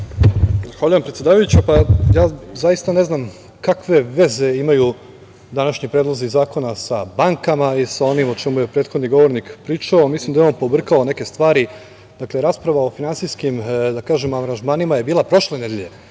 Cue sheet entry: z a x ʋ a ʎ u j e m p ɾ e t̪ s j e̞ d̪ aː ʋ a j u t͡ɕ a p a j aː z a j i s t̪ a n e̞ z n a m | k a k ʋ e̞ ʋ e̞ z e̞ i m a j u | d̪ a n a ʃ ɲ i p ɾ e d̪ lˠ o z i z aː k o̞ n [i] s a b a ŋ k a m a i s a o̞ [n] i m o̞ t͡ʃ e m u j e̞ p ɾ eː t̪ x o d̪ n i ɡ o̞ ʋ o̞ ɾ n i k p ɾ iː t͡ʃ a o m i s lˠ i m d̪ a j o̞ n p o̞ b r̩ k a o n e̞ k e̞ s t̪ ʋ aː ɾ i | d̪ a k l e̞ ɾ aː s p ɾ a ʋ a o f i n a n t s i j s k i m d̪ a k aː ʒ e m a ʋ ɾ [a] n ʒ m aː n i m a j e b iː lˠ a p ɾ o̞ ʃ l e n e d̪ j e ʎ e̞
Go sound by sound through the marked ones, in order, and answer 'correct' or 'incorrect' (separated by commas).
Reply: incorrect, correct, correct